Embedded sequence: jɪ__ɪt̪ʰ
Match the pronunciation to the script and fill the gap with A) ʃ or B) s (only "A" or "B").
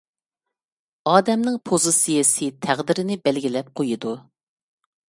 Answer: B